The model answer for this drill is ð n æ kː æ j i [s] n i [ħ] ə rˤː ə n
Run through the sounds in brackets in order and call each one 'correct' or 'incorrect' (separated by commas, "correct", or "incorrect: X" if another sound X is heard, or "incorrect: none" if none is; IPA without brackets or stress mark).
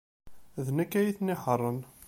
incorrect: θ, correct